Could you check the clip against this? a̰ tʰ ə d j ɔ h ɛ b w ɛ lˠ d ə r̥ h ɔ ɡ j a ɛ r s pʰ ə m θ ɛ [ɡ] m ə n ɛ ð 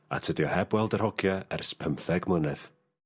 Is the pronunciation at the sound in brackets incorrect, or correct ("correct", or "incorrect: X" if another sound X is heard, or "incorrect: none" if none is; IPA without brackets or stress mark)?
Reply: correct